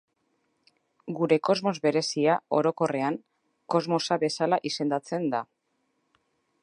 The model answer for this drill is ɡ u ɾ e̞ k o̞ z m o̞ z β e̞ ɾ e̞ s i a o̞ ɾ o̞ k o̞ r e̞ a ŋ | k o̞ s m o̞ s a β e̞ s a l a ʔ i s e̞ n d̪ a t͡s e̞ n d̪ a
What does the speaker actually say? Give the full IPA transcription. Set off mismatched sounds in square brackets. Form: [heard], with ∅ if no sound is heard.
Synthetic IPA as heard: ɡ u ɾ e̞ k o̞ z m o̞ z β e̞ ɾ e̞ s i a o̞ ɾ o̞ k o̞ r e̞ a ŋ | k o̞ [z] m o̞ s a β e̞ s a l a ʔ i s e̞ n d̪ a t͡s e̞ n d̪ a